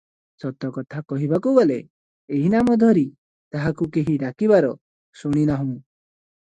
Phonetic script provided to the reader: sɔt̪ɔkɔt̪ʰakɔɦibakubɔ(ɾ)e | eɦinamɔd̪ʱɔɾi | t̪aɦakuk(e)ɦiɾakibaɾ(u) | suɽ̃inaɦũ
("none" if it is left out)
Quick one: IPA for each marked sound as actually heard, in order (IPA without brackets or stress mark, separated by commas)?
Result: l, e, ɔ